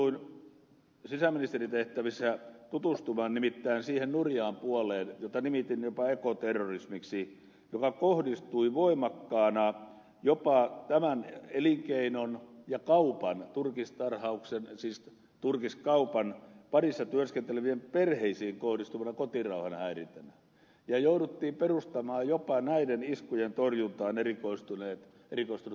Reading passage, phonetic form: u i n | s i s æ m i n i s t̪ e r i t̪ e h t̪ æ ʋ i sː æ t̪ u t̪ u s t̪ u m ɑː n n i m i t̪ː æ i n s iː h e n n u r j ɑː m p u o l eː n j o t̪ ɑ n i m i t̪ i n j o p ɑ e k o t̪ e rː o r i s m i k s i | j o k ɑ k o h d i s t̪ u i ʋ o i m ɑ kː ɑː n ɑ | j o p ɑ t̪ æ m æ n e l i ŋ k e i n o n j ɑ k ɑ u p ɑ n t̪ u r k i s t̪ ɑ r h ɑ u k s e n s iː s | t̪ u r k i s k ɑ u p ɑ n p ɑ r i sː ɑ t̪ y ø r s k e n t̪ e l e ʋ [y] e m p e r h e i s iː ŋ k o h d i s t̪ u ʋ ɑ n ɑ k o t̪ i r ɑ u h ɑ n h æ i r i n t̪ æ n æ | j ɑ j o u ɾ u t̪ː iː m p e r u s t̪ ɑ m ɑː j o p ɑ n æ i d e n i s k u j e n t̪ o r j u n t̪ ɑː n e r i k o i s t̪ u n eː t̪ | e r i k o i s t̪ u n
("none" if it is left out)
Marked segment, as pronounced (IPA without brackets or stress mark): i